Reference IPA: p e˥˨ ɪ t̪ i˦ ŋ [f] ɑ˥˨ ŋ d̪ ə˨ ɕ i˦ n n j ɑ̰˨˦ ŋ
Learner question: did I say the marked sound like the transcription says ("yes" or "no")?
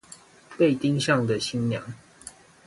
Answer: no